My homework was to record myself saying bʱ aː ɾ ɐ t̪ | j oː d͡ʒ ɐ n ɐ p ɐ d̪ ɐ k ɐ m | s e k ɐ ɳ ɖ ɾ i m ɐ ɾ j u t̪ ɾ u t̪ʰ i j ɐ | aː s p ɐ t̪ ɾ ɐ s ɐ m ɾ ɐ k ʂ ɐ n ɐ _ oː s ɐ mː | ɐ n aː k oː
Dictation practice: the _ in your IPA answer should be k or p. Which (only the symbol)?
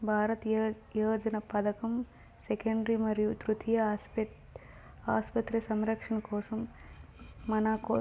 k